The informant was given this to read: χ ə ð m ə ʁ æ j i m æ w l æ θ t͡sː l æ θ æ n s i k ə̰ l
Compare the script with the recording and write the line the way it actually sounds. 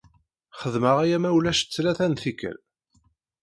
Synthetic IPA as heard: χ ə ð m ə ʁ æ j æ m æ w l æ ʃ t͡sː l æ θ æ n θ i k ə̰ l

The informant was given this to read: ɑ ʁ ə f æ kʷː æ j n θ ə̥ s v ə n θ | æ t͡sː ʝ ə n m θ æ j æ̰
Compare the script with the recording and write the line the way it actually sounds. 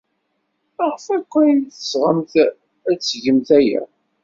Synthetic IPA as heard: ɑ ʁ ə f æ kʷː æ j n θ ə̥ s ʁ ə m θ | æ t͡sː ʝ ə m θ æ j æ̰

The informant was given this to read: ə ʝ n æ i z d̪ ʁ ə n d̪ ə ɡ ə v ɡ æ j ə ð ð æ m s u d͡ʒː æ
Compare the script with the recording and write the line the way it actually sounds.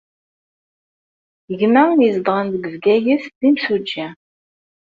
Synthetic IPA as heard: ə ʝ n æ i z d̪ ʁ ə n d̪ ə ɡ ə v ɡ æ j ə θ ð i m s u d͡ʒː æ

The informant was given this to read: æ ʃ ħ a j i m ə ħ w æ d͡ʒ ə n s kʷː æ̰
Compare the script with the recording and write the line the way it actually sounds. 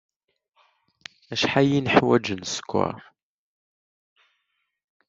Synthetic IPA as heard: æ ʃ ħ a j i n ə ħ w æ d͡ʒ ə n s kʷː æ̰

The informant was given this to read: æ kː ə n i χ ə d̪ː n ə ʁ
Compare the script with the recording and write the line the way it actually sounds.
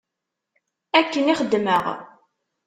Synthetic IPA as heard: æ kː ə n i χ ə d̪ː m ə ʁ

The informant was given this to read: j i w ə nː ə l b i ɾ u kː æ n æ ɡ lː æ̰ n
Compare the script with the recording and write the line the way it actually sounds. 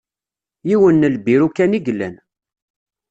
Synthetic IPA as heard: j i w ə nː ə l b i ɾ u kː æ n i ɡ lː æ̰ n

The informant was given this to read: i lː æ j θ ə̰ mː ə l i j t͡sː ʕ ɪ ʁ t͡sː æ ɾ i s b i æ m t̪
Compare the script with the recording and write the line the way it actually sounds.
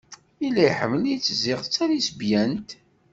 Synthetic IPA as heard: i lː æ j ħ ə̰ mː ə l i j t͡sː z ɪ ʁ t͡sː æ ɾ i s b j æ n t̪

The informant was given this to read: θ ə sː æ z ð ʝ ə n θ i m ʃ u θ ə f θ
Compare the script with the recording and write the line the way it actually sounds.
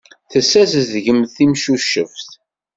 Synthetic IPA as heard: θ ə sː æ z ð ʝ ə m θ i m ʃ u ʃ ə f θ

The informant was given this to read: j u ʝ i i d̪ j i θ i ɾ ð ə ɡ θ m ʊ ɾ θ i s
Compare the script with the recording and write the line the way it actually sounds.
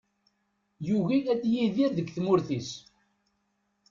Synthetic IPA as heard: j u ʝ i æ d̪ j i ð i ɾ ð ə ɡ θ m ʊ ɾ θ i s

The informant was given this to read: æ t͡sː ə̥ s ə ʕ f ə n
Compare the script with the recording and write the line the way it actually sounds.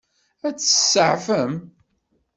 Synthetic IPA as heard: æ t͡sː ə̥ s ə ʕ f ə m

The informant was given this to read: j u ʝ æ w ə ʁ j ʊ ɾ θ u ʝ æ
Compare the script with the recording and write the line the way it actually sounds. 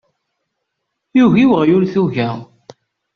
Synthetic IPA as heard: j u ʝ i w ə ʁ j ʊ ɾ θ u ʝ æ

